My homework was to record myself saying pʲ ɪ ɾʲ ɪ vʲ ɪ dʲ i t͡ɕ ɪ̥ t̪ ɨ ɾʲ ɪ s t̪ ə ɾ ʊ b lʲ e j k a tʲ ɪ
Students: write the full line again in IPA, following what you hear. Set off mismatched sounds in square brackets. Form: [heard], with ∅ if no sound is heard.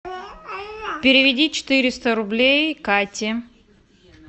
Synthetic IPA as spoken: pʲ ɪ ɾʲ ɪ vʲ ɪ dʲ i t͡ɕ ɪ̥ t̪ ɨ ɾʲ ɪ s t̪ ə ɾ ʊ b lʲ e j k a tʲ ɪ